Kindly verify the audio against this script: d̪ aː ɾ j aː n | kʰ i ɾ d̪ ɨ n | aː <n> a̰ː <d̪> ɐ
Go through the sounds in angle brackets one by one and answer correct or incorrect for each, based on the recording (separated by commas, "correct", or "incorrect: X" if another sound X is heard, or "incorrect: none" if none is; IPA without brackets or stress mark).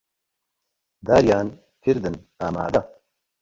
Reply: incorrect: m, correct